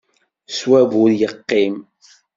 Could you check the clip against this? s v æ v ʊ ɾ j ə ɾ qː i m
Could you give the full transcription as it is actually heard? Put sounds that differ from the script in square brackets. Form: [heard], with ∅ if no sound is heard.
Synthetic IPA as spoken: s [w] æ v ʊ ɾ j ə [∅] qː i m

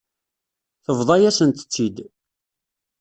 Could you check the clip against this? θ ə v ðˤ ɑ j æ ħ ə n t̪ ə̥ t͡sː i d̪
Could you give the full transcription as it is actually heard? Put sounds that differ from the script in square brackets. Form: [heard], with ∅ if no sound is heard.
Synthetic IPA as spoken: θ ə v ðˤ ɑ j æ [s] ə n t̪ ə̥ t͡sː i d̪

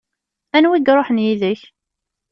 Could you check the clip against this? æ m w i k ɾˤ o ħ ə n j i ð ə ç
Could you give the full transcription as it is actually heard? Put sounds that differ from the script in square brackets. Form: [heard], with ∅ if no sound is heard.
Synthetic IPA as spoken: æ [n] w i [ɡ] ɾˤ o ħ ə n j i ð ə ç

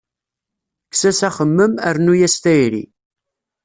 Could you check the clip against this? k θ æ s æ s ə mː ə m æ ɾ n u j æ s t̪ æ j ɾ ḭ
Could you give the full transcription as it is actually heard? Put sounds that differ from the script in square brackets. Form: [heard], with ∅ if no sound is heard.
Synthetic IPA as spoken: k [s] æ s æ [χ] ə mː ə m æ ɾ n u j æ s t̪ æ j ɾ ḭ

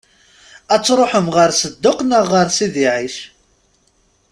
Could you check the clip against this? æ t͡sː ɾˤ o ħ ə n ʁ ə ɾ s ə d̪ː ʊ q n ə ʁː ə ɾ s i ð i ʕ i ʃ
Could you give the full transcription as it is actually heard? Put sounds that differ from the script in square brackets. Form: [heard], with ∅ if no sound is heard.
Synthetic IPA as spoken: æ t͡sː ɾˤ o ħ ə [m] ʁ ə ɾ s ə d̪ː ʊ q n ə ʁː ə ɾ s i ð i ʕ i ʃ

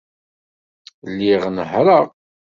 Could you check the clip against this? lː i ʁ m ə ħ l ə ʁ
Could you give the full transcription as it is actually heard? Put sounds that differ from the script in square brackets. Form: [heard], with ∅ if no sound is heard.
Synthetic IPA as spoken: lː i ʁ [n] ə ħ [ɾ] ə ʁ

